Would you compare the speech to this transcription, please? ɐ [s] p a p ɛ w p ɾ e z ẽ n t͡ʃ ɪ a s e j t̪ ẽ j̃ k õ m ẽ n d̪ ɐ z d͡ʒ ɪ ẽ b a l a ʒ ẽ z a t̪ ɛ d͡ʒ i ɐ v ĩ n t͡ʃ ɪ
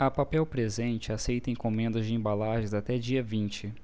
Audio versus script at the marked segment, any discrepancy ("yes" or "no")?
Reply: yes